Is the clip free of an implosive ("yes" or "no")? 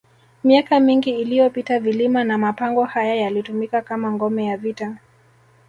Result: yes